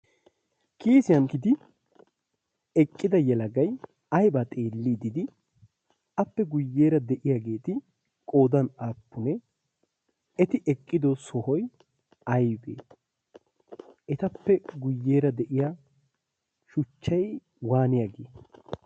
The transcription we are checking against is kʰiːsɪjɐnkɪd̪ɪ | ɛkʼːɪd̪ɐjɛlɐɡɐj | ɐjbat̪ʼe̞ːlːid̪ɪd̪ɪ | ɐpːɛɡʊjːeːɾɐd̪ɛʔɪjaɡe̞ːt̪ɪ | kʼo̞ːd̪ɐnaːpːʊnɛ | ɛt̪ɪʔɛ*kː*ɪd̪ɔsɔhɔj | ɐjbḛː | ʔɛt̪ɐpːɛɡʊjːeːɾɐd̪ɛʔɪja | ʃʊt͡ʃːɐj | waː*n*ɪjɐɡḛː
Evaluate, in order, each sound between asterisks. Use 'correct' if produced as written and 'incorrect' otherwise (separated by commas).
incorrect, correct